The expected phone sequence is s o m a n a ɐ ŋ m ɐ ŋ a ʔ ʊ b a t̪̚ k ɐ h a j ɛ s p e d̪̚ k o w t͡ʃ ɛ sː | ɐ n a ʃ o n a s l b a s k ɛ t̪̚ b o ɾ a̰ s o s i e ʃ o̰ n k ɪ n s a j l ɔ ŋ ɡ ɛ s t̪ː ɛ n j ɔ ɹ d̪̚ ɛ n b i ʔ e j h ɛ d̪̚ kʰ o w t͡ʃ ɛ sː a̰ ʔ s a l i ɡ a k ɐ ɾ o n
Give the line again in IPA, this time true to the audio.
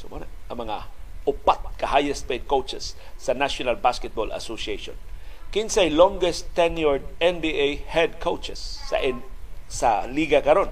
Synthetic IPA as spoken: s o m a n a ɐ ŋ m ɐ ŋ a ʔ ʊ p a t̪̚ k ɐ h a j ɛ s p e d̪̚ k o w t͡ʃ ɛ sː | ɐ n a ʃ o n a l b a s k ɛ t̪̚ b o l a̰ s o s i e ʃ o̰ n k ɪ n s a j l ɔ ŋ ɡ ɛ s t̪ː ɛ n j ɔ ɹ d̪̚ ɛ n b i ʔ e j h ɛ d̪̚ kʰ o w t͡ʃ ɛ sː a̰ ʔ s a l i ɡ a k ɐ ɾ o n